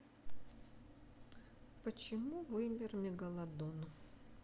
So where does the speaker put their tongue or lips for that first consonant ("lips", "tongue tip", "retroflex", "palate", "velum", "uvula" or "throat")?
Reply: lips